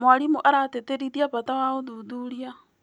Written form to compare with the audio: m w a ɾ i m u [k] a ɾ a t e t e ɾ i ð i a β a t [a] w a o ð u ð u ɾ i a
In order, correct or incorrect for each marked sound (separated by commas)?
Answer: incorrect, correct